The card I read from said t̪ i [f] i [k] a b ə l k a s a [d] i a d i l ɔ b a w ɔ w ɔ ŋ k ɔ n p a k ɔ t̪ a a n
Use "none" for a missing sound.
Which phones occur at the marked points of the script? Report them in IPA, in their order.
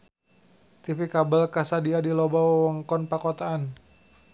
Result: f, k, d

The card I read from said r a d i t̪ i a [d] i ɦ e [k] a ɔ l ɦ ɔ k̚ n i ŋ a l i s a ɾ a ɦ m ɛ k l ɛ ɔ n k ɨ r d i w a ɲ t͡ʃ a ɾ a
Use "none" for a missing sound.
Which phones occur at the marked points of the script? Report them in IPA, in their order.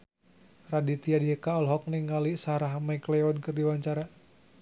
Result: d, k

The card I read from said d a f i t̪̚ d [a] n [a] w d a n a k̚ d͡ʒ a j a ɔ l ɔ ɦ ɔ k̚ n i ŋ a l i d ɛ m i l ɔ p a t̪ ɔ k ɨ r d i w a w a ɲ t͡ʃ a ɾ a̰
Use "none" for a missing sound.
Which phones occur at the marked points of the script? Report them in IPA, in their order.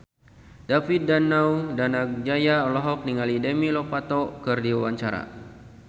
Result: a, a

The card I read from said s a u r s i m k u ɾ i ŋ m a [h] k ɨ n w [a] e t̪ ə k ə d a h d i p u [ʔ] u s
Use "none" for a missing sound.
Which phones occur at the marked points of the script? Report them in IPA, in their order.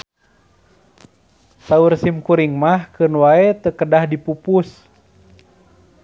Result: h, a, p

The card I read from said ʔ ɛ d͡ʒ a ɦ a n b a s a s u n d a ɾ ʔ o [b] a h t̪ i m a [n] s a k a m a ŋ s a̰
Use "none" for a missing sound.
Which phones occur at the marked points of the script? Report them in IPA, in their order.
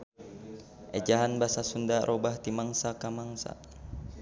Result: b, ŋ

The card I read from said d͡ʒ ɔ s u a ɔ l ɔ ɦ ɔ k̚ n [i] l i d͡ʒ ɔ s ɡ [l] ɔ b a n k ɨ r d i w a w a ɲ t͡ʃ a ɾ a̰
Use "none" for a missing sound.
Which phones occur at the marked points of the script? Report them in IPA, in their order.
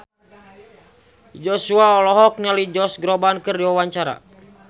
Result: a, ɾ

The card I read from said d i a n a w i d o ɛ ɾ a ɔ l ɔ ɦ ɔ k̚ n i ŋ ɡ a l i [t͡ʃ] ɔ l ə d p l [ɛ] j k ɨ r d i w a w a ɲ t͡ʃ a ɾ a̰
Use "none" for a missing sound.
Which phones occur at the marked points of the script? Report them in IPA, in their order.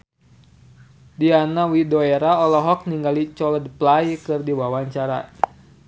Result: t͡ʃ, a

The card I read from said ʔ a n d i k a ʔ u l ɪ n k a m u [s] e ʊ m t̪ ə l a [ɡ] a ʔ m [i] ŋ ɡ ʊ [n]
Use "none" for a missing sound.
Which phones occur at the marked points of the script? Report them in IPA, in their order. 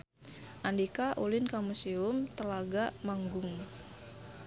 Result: s, ɡ, a, ŋ

